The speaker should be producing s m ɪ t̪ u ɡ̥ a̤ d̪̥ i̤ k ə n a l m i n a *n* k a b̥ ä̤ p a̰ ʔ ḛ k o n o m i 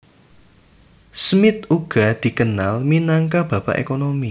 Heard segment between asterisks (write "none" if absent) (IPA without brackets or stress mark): ŋ